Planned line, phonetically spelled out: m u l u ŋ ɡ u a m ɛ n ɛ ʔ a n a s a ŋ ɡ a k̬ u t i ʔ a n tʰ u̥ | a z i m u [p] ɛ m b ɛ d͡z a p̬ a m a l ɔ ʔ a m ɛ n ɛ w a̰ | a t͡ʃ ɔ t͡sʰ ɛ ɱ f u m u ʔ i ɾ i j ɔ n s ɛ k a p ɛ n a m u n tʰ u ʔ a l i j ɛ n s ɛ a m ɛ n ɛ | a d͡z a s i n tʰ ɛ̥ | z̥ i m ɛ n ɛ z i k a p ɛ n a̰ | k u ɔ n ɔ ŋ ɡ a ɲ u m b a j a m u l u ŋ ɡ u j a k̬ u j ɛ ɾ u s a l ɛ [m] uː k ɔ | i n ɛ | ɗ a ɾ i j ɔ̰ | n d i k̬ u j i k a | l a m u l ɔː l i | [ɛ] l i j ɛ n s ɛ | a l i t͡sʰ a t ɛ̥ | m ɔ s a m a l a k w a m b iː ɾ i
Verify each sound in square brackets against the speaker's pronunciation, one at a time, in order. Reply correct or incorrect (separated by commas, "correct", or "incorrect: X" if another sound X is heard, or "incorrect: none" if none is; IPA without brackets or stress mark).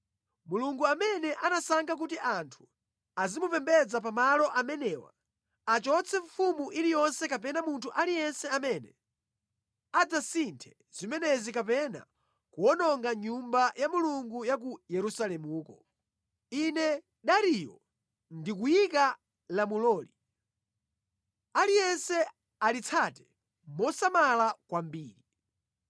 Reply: correct, correct, incorrect: a